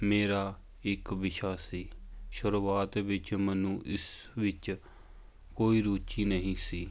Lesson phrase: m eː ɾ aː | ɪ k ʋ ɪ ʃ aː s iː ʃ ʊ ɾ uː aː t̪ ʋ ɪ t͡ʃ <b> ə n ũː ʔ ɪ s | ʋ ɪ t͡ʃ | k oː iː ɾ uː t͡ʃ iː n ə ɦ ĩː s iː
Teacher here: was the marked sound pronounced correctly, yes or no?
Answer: no